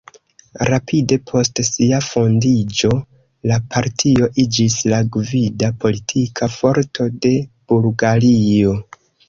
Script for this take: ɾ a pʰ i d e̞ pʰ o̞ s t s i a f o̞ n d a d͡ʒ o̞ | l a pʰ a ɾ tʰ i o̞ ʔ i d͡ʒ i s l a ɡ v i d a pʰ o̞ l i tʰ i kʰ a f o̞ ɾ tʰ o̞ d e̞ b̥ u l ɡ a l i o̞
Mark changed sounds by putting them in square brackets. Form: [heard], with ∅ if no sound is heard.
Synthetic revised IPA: ɾ a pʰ i d e̞ pʰ o̞ s t s i a f o̞ n d [i] d͡ʒ o̞ | l a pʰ a ɾ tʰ i o̞ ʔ i d͡ʒ i s l a ɡ v i d a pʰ o̞ l i tʰ i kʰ a f o̞ ɾ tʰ o̞ d e̞ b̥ u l ɡ a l i o̞